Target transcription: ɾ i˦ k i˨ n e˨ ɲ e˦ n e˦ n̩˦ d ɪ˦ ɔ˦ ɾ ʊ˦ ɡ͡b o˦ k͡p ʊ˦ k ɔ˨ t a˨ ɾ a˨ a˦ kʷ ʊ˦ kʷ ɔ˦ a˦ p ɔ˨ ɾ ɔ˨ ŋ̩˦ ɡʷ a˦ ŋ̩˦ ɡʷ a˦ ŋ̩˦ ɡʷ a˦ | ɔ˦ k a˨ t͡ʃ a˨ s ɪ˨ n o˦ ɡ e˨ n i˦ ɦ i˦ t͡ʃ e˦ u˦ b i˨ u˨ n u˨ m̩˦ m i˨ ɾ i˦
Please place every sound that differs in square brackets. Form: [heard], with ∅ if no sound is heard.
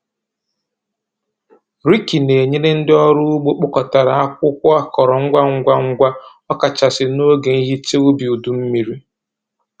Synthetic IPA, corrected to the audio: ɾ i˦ k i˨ n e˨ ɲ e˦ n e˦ n̩˦ d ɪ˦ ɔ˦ ɾ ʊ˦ ɡ͡b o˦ k͡p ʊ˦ k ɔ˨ t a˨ ɾ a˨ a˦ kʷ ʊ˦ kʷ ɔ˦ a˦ [k] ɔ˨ ɾ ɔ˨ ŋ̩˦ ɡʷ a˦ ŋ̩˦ ɡʷ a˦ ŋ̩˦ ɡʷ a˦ | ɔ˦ k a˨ t͡ʃ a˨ s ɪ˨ n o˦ ɡ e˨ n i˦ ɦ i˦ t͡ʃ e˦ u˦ b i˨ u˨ [d] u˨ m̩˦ m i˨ ɾ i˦